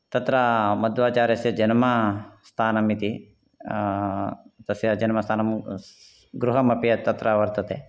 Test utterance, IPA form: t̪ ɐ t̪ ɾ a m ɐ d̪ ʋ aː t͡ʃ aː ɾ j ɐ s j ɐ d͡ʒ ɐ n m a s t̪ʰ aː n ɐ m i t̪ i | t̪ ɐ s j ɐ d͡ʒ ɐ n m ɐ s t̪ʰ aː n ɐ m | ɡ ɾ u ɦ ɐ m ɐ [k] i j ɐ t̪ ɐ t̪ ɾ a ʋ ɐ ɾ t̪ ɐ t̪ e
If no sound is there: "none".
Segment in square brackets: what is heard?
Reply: p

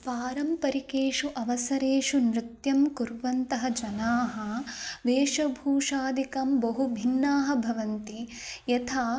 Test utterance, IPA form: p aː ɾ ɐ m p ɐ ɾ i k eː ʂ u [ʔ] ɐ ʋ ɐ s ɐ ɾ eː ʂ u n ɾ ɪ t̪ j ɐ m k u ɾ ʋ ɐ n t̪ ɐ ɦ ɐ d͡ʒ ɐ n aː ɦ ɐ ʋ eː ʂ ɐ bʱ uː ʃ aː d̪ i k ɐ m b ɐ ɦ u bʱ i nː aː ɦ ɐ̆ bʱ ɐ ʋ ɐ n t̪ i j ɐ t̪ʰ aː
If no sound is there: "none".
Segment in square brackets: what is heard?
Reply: ʔ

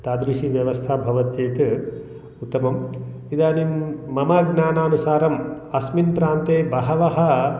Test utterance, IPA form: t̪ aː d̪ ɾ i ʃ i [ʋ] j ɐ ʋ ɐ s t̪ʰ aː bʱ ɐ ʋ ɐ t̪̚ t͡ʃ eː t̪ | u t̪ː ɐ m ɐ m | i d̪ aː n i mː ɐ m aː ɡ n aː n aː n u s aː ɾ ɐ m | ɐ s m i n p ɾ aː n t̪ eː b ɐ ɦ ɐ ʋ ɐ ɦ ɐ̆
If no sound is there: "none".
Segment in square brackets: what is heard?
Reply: ʋ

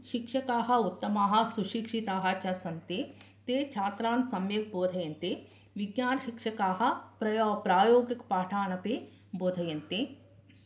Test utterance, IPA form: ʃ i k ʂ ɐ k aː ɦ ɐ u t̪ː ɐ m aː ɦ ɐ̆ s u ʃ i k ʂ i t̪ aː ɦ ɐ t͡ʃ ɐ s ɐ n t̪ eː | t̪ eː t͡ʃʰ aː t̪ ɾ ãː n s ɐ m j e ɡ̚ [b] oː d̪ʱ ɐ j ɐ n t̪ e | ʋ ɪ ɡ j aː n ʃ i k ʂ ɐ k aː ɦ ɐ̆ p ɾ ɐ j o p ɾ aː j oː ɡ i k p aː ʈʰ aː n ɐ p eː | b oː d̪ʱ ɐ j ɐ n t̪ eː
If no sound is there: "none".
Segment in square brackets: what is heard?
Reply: b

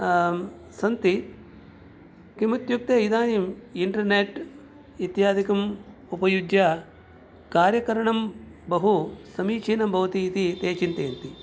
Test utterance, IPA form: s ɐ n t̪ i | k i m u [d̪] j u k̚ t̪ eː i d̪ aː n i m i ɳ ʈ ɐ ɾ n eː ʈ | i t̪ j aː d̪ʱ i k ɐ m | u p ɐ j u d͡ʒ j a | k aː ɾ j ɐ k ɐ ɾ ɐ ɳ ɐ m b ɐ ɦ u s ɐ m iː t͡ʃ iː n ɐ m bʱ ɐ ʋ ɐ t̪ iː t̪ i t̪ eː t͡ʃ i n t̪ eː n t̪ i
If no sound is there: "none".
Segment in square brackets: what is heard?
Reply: t̪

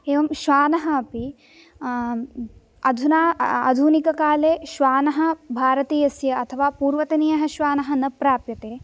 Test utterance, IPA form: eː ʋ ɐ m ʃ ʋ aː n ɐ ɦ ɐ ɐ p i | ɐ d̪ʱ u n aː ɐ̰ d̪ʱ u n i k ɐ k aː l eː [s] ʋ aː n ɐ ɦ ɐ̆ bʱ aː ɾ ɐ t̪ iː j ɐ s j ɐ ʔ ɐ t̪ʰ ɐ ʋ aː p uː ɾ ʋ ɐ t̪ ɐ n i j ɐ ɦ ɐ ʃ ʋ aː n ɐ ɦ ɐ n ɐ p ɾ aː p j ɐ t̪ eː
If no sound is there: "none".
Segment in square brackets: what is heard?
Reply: ʃ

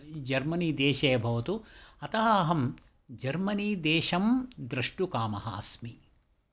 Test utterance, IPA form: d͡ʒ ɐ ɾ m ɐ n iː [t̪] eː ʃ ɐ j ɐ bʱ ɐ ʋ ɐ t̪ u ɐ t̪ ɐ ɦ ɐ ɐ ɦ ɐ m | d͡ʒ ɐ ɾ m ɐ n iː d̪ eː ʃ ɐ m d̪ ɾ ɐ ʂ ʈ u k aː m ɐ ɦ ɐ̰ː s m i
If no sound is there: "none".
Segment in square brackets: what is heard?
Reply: d̪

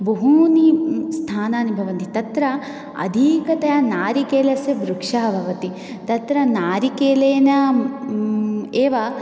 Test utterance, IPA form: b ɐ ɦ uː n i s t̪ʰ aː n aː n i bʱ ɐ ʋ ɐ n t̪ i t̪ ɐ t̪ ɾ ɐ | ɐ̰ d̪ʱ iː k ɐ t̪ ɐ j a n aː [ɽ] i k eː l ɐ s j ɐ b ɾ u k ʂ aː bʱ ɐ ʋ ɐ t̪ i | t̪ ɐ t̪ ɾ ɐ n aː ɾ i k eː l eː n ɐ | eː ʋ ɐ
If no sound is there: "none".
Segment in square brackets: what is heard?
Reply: ɾ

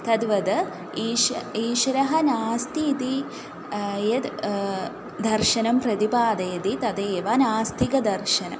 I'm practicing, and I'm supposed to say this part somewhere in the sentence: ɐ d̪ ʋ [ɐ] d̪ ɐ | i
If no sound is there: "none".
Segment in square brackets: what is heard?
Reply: ɐ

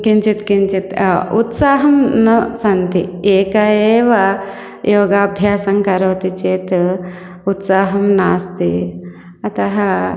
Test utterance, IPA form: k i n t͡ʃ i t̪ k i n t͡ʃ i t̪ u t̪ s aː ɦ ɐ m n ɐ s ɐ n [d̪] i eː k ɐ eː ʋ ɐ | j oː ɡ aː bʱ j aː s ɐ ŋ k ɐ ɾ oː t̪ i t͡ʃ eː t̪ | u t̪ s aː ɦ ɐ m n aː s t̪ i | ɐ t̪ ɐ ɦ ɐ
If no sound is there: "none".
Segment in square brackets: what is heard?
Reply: t̪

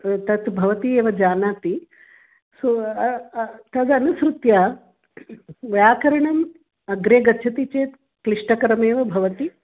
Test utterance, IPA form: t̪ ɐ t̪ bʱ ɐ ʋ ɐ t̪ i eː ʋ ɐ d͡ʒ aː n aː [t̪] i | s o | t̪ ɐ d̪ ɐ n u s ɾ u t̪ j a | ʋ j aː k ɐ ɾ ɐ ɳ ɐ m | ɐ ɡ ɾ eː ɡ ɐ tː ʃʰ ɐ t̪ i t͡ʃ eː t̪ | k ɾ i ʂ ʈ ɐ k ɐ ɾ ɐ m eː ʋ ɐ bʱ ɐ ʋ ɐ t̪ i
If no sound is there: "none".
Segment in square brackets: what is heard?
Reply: t̪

